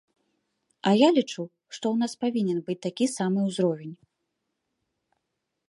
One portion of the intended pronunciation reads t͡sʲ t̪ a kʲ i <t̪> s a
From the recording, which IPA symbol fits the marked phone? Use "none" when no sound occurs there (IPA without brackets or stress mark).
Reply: none